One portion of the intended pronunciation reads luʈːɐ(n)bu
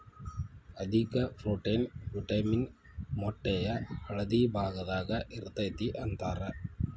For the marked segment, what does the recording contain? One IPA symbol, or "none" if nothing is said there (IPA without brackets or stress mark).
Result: n